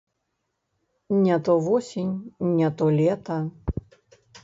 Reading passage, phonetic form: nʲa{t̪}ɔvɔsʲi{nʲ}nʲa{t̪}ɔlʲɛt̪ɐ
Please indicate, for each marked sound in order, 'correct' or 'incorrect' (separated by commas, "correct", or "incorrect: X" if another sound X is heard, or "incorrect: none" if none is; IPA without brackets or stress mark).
correct, correct, correct